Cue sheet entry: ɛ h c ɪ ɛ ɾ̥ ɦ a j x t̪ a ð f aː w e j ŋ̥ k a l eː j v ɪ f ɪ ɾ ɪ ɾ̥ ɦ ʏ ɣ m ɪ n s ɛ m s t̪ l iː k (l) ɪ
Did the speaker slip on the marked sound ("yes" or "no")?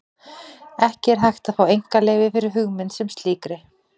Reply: yes